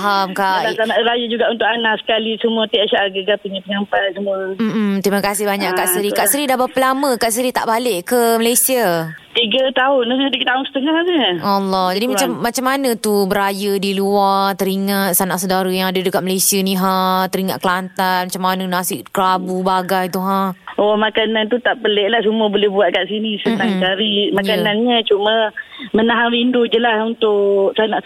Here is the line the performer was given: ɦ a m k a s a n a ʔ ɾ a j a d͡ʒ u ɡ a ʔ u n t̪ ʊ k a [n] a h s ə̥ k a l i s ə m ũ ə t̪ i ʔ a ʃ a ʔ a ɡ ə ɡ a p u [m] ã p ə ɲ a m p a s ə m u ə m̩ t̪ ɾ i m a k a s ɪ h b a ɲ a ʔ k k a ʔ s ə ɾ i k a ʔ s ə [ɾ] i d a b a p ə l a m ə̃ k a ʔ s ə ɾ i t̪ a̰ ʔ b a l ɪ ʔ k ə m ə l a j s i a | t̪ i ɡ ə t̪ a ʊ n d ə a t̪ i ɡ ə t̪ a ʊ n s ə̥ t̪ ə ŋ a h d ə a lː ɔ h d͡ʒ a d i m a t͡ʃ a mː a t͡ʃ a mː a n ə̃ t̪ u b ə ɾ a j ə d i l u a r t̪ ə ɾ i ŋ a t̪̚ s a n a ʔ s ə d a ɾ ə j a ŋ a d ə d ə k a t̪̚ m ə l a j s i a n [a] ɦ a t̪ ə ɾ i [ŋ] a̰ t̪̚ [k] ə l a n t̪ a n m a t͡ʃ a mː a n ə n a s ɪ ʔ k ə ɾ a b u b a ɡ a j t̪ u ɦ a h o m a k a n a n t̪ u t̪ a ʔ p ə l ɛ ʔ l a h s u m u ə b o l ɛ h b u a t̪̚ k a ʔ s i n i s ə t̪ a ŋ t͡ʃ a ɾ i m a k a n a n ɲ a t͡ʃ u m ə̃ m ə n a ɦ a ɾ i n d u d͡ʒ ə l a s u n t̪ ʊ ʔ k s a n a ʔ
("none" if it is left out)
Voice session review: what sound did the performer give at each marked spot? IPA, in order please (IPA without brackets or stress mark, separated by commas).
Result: n, ɲ, ɾ, i, ŋ, k